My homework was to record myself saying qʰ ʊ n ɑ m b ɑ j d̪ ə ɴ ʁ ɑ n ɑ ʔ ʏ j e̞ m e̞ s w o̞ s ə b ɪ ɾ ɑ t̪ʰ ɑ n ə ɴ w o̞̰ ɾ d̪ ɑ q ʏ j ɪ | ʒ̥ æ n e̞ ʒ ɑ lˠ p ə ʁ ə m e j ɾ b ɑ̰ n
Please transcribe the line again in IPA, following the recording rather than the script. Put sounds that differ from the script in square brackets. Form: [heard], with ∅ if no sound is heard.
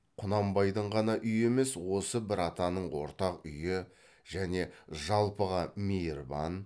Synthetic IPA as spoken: qʰ ʊ n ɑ m b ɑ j d̪ ə ɴ ʁ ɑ n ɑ ʔ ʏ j e̞ m e̞ s w o̞ s ə b ɪ ɾ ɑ [t̪] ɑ n ə ɴ w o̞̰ ɾ [t̪] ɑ q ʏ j ɪ | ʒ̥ æ n e̞ ʒ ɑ lˠ p ə ʁ [ɑ] m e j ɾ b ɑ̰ n